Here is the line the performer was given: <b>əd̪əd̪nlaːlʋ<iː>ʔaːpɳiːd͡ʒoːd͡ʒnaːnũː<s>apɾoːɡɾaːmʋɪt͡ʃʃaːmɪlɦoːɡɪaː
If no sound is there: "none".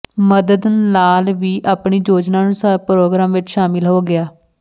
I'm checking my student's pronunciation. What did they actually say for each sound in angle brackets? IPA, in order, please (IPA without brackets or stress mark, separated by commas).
m, iː, s